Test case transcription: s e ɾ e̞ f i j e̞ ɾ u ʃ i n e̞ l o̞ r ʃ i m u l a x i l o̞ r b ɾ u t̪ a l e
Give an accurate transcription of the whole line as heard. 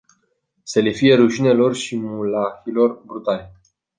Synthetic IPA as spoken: s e l e̞ f i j e̞ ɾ u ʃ i n e̞ l o̞ r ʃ i m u l a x i l o̞ r b ɾ u t̪ a l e